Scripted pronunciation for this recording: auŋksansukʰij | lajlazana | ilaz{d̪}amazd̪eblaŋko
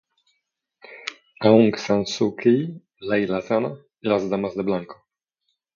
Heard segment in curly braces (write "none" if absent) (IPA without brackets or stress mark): d̪